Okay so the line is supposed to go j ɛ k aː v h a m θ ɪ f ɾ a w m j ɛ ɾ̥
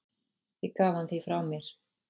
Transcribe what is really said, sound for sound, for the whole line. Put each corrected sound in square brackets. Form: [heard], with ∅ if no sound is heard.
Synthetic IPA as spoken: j ɛ k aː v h a [n] θ [i] f ɾ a w m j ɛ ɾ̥